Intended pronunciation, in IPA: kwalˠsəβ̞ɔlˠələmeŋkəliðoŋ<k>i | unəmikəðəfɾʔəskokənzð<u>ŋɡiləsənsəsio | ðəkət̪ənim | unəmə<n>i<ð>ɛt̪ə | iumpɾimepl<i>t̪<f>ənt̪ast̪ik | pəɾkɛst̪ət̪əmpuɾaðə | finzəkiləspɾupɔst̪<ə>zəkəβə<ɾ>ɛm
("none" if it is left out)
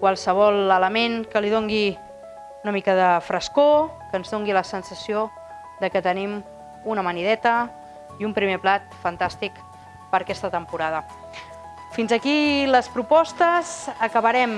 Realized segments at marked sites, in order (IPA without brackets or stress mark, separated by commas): ɡ, o, n, ð, a, f, ə, ɾ